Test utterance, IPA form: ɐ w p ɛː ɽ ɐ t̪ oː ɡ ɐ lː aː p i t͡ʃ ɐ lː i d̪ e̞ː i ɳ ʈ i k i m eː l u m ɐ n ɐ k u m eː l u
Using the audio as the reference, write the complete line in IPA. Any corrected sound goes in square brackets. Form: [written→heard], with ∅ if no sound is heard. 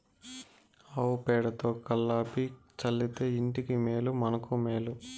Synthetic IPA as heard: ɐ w p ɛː ɽ ɐ t̪ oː [ɡ→k] ɐ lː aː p i t͡ʃ ɐ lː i [d̪→t̪] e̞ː i ɳ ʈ i k i m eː l u m ɐ n ɐ k u m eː l u